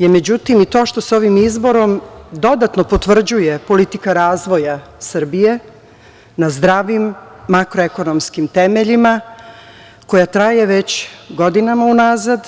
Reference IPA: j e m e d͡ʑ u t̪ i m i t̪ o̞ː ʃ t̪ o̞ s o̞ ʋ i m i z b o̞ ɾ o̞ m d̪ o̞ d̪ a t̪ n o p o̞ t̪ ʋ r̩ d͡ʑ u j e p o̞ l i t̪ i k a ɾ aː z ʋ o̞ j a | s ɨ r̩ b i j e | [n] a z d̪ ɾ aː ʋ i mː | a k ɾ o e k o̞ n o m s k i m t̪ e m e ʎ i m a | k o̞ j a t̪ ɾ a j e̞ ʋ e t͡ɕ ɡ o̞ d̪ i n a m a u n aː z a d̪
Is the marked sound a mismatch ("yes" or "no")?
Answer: no